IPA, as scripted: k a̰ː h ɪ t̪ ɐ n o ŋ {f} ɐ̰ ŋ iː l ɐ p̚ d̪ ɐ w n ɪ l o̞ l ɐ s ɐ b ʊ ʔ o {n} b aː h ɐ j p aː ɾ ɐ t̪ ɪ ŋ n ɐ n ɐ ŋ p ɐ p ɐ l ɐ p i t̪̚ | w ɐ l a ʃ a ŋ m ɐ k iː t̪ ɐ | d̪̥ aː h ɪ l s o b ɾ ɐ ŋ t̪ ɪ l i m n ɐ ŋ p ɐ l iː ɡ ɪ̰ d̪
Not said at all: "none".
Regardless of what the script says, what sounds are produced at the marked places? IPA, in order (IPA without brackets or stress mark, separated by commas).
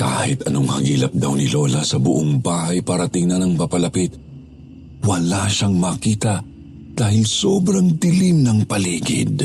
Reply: h, ŋ